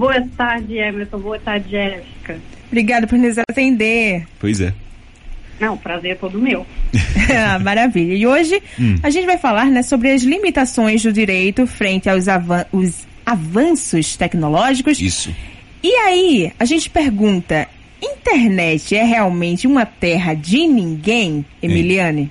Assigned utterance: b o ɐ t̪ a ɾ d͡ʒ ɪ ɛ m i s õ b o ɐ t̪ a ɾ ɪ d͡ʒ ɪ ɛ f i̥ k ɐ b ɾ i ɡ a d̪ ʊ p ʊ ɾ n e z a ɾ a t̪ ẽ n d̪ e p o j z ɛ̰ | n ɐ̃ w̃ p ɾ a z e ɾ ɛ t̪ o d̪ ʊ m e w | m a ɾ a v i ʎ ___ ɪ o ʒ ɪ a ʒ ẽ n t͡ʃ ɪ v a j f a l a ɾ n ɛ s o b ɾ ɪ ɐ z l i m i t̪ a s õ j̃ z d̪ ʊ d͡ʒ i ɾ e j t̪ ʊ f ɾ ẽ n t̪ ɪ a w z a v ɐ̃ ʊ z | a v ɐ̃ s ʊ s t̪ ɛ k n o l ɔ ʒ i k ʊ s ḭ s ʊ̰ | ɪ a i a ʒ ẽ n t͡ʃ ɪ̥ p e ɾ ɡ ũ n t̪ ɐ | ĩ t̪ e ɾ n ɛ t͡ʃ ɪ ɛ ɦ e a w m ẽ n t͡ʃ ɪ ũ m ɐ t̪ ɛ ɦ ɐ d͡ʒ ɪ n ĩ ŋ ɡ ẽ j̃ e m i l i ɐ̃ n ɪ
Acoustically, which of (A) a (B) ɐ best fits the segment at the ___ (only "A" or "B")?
B